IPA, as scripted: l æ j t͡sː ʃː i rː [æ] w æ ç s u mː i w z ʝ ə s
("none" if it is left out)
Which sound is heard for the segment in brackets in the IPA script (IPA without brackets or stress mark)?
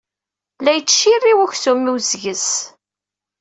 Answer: i